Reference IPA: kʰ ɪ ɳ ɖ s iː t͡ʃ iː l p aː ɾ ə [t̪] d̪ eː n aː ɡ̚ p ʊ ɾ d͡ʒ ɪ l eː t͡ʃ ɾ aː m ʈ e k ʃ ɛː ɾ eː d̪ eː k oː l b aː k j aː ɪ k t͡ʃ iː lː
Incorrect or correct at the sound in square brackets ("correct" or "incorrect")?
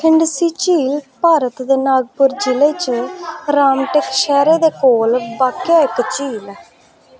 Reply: correct